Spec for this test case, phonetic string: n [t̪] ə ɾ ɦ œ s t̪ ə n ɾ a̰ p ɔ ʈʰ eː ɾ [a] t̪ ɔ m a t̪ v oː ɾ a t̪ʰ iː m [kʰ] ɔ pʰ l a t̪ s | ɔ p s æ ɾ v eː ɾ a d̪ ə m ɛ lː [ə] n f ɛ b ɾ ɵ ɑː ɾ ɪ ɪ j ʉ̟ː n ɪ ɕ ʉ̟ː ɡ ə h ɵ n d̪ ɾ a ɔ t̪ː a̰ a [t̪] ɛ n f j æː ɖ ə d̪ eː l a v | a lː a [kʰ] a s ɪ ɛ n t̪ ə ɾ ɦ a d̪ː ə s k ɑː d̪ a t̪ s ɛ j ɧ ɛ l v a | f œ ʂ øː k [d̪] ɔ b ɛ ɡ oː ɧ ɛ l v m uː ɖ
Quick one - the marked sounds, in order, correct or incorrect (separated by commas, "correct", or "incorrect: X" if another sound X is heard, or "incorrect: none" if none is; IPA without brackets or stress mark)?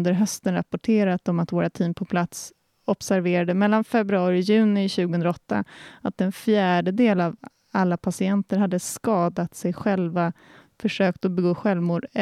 incorrect: d̪, correct, incorrect: pʰ, incorrect: a, correct, incorrect: pʰ, incorrect: t̪